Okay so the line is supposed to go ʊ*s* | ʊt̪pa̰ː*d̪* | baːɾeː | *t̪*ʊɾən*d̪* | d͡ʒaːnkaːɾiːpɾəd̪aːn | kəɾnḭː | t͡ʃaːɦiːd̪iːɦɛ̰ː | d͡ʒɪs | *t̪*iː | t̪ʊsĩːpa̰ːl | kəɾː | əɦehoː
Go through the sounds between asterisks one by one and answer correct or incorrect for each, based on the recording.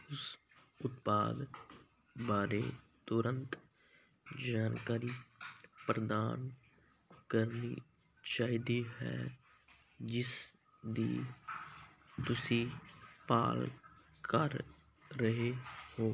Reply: correct, correct, correct, incorrect, incorrect

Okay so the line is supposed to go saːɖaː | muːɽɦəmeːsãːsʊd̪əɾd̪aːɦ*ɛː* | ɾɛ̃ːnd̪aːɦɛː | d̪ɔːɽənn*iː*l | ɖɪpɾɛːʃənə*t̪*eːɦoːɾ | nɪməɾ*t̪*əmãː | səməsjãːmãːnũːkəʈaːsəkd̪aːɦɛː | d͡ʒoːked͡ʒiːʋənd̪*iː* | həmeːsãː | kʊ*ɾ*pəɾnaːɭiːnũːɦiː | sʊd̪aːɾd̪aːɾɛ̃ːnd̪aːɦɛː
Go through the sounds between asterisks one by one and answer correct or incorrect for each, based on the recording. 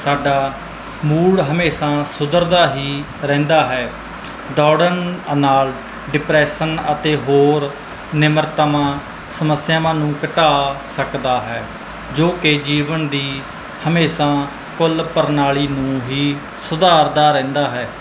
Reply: incorrect, incorrect, correct, correct, correct, incorrect

